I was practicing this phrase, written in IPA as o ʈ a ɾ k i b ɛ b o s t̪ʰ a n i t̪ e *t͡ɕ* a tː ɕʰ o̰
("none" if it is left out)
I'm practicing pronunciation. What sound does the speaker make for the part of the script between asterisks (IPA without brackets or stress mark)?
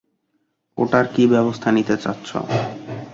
t͡ɕ